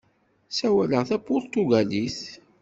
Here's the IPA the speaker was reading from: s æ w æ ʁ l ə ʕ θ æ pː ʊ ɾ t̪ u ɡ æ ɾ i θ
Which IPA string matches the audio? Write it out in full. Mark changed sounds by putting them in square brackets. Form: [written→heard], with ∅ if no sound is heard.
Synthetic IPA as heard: s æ w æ [ʁ→∅] l ə [ʕ→ʁ] θ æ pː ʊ ɾ t̪ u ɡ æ [ɾ→l] i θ